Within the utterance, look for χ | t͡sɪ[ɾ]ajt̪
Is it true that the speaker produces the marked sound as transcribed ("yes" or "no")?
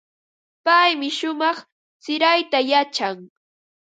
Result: yes